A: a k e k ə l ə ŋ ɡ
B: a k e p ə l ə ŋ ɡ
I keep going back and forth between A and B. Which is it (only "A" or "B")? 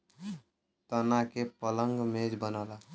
B